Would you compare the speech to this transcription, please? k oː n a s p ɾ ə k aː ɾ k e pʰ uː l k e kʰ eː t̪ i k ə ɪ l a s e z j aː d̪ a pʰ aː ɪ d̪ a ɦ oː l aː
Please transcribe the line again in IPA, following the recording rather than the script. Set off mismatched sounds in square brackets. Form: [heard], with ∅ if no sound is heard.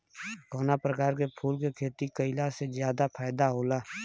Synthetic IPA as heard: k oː n a [∅] p ɾ ə k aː ɾ k e pʰ uː l k e kʰ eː t̪ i k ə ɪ l a s e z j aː d̪ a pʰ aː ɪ d̪ a ɦ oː l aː